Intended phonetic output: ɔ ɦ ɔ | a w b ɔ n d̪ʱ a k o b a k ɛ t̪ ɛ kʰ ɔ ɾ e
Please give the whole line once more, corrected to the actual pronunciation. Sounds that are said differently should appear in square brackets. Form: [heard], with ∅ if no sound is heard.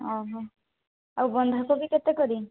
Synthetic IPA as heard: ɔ ɦ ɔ | a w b ɔ n d̪ʱ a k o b [i] k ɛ t̪ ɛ [k] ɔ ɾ [i]

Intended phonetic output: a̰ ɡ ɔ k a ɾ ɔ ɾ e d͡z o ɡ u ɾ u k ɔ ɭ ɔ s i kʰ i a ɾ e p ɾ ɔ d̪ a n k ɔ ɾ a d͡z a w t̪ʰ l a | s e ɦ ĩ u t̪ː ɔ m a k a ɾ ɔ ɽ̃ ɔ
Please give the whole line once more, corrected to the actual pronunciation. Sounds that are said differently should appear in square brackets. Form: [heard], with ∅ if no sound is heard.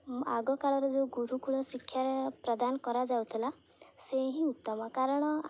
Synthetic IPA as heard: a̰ ɡ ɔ k a [ɭ] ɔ ɾ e d͡z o ɡ u ɾ u k [u] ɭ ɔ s i kʰ [j] a ɾ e p ɾ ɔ d̪ a n k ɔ ɾ a d͡z a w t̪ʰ l a | s e ɦ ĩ u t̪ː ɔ m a k a ɾ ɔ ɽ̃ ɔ

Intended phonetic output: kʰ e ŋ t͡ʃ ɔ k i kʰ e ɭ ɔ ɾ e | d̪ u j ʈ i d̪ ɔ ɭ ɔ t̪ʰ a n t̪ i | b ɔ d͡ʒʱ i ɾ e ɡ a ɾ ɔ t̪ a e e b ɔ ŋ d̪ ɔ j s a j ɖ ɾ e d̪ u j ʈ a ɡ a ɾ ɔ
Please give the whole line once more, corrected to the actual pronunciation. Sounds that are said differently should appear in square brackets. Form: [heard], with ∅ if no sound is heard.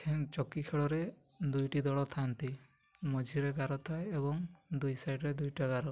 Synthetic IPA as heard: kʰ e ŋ t͡ʃ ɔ k i kʰ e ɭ ɔ ɾ e | d̪ u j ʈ i d̪ ɔ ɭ ɔ t̪ʰ a n t̪ i | [m] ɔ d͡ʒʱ i ɾ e ɡ a ɾ ɔ [t̪ʰ] a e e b ɔ ŋ d̪ [u] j s a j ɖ ɾ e d̪ u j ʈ a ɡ a ɾ ɔ

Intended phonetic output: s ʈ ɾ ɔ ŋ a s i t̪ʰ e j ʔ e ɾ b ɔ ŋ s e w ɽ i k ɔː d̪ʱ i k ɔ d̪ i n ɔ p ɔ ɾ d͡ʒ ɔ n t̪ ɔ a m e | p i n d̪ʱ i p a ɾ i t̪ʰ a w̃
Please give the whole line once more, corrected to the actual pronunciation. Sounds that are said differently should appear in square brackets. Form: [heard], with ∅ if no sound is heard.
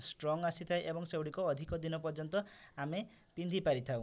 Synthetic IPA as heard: s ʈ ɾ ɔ ŋ a s i t̪ʰ [a] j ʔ e [∅] b ɔ ŋ s e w ɽ i k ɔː d̪ʱ i k ɔ d̪ i n ɔ p ɔ ɾ d͡ʒ ɔ n t̪ ɔ a m e | p i n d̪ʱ i p a ɾ i t̪ʰ a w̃

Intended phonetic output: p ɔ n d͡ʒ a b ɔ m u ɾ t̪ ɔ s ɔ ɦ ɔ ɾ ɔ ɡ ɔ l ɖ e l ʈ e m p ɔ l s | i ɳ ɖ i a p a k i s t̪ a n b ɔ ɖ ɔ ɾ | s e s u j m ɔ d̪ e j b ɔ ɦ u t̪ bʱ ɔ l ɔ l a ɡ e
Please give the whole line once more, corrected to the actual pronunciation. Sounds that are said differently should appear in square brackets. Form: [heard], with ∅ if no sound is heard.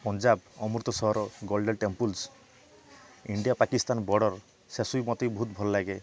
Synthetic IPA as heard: p ɔ n d͡ʒ a b ɔ m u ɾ t̪ ɔ s ɔ ɦ ɔ ɾ ɔ ɡ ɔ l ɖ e l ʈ e m p [u] l s | i ɳ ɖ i a p a k i s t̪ a n b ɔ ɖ ɔ ɾ | s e s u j m ɔ [t̪] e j b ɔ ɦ u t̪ bʱ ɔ l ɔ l a ɡ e

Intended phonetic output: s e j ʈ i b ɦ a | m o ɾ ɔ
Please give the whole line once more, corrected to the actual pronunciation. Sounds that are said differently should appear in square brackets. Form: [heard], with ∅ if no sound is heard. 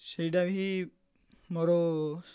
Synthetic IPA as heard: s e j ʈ [a] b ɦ [i] | m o ɾ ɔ

